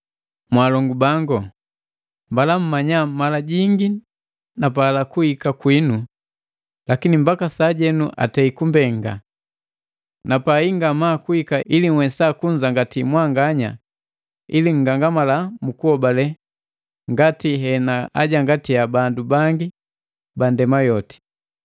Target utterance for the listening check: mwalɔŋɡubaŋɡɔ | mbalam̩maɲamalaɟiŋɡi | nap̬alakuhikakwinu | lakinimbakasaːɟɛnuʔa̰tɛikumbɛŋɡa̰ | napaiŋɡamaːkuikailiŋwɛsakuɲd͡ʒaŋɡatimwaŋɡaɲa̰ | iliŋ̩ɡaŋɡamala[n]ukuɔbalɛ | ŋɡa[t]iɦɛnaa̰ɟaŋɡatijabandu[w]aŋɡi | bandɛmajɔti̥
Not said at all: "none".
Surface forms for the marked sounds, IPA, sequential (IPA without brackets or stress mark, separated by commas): m, t, b